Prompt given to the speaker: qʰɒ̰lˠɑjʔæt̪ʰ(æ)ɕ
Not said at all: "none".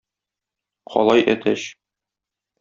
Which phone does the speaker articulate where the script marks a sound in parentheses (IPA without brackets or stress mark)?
æ